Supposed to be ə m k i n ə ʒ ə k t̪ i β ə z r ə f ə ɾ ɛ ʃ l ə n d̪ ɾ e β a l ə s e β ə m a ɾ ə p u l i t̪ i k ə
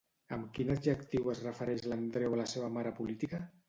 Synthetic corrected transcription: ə m k i n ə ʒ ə k t̪ i w ə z r ə f ə ɾ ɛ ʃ l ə n d̪ ɾ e w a l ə s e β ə m a ɾ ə p u l i t̪ i k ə